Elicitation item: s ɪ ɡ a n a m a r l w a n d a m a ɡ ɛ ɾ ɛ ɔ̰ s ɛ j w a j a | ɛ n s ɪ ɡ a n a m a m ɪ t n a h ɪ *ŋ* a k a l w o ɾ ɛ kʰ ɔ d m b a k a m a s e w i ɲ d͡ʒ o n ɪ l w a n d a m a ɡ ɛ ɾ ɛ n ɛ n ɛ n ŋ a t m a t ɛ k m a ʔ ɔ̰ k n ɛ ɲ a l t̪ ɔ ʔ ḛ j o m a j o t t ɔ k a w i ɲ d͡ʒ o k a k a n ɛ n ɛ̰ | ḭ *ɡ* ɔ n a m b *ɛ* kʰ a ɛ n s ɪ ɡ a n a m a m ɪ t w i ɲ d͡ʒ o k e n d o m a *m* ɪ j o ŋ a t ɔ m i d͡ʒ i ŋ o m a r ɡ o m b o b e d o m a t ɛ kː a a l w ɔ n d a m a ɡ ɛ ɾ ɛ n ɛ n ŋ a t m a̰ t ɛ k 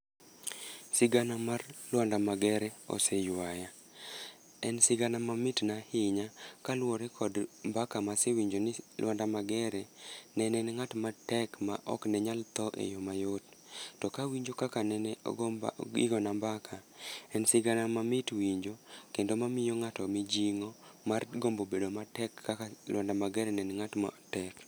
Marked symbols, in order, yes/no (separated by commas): no, yes, no, yes